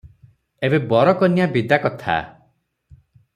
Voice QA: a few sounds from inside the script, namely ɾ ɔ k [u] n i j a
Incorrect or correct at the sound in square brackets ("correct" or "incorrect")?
incorrect